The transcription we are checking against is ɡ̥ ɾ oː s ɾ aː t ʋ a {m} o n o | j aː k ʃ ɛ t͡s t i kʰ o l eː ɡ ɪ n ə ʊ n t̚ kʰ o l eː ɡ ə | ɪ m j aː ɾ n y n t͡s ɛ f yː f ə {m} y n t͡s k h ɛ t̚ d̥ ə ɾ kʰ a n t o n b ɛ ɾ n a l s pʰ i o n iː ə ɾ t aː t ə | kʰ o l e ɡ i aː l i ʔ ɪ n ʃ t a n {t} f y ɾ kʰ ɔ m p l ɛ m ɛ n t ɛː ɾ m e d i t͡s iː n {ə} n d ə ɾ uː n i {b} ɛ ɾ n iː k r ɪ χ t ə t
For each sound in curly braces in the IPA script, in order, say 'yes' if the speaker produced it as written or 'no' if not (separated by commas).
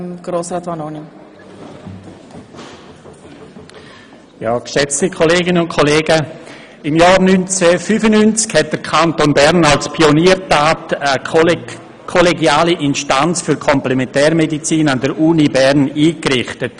no, no, no, no, yes